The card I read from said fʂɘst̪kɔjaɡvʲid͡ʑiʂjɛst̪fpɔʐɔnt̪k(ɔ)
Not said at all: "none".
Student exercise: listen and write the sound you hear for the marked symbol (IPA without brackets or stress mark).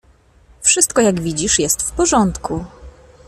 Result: u